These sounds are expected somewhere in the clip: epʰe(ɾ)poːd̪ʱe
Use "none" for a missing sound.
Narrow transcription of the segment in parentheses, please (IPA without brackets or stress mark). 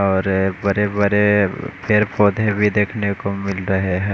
ɾ